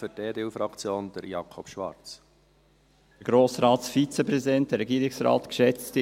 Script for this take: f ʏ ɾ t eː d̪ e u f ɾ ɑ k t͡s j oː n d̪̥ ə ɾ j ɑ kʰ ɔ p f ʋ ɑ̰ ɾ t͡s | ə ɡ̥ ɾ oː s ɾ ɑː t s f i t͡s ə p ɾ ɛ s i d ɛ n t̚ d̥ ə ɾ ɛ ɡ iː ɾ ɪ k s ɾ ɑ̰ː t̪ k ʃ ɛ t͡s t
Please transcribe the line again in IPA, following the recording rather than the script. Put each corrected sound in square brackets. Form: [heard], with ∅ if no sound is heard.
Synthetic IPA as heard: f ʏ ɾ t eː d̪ e u f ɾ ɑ k t͡s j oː n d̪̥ ə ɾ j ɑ kʰ ɔ p [ʃ] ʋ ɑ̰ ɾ t͡s | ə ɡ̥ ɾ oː s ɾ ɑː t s f i t͡s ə p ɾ ɛ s i d ɛ n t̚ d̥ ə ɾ ɛ ɡ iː ɾ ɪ k s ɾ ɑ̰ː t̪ k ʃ ɛ t͡s t